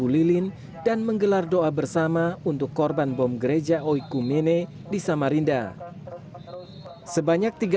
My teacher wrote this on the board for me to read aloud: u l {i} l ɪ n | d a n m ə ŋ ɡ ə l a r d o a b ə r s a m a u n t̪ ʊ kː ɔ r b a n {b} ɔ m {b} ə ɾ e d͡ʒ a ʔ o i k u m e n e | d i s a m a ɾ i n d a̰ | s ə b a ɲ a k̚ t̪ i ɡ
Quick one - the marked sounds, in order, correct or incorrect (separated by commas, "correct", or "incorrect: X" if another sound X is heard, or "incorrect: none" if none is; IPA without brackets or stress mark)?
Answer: correct, correct, incorrect: ɡ